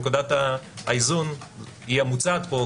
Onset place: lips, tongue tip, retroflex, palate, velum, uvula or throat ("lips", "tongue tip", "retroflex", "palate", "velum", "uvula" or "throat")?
velum